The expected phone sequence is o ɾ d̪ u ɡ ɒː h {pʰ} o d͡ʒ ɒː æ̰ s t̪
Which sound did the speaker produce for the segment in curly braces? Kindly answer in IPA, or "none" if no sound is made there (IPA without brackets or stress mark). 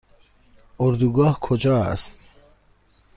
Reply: kʰ